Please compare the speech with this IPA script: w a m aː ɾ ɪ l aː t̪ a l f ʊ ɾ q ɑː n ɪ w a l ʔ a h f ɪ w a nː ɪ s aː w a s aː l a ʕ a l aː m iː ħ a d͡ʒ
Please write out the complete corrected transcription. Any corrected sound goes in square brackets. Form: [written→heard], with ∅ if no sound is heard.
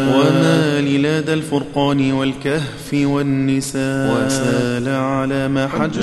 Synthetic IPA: w a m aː [ɾ→l] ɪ l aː [t̪→d̪] a l f ʊ ɾ q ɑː n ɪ w a l [ʔ→k] a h f ɪ w a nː ɪ s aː w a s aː l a ʕ a l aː m [iː→aː] ħ a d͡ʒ